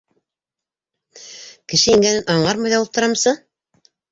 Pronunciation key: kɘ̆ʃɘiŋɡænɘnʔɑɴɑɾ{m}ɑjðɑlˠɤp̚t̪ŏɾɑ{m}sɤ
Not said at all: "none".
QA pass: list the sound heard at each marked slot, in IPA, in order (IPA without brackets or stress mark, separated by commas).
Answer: m, m